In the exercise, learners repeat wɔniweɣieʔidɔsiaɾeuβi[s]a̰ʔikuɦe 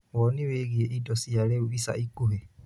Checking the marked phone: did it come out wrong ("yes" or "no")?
no